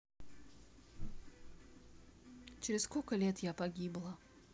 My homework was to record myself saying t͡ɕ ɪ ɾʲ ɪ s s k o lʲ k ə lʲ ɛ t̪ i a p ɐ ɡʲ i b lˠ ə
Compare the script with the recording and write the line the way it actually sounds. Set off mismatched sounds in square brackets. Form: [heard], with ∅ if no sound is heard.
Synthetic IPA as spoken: t͡ɕ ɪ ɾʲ ɪ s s k o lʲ k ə lʲ [e] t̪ [j] a p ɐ ɡʲ i b lˠ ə